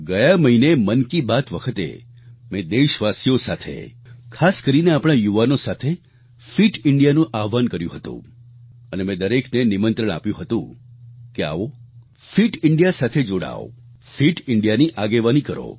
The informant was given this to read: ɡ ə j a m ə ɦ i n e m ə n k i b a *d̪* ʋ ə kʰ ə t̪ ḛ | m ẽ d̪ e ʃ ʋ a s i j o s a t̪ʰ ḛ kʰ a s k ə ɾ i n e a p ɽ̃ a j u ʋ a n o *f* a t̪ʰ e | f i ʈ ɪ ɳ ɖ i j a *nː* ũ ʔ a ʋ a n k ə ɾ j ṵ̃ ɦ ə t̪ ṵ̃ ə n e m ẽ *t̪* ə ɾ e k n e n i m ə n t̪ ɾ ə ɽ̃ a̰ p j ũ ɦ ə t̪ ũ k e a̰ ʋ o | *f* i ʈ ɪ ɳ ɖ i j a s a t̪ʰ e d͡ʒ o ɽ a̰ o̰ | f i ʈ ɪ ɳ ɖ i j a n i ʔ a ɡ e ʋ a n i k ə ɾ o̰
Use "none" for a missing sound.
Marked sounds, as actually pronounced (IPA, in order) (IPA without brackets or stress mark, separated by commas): t̪, s, n, d̪, f